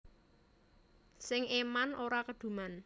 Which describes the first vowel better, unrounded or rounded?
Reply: unrounded